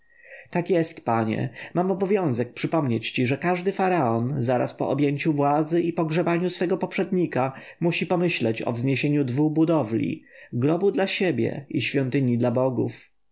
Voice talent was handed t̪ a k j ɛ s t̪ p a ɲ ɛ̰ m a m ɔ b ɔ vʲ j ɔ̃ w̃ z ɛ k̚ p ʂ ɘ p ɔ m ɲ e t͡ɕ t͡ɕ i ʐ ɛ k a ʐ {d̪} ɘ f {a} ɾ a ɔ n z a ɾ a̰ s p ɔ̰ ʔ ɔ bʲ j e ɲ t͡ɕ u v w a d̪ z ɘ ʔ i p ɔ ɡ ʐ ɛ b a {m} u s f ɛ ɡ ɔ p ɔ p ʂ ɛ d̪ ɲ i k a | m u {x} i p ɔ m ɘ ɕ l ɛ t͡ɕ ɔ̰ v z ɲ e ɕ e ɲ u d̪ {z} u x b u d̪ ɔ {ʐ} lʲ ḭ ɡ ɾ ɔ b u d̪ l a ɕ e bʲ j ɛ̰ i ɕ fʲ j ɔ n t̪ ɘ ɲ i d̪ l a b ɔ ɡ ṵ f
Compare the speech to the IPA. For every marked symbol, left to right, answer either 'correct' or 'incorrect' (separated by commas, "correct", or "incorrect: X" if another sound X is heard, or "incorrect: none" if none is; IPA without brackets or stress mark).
correct, correct, incorrect: ɲ, incorrect: ɕ, incorrect: v, incorrect: v